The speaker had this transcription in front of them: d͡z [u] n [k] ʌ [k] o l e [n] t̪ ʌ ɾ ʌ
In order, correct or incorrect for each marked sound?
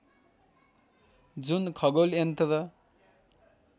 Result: correct, incorrect: kʰ, incorrect: ɡ, correct

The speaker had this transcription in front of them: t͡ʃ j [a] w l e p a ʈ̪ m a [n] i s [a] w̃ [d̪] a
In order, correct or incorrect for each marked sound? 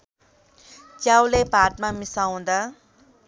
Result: correct, incorrect: m, correct, correct

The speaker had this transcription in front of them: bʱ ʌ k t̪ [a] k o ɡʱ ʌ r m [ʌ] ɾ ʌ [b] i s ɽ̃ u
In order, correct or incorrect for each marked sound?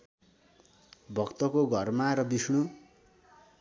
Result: incorrect: ʌ, incorrect: a, correct

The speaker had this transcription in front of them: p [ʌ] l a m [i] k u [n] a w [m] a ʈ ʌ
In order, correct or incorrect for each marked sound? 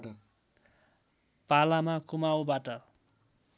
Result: incorrect: a, incorrect: a, incorrect: m, incorrect: b

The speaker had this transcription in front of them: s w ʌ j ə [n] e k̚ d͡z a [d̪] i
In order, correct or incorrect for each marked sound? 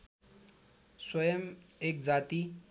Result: incorrect: m, incorrect: t̪

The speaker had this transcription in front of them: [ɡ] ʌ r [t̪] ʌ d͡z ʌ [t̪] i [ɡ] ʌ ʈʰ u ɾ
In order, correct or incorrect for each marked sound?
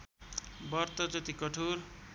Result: incorrect: b, correct, correct, incorrect: k

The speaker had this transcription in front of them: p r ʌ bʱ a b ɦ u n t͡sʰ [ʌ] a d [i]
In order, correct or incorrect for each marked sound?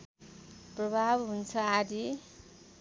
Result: correct, correct

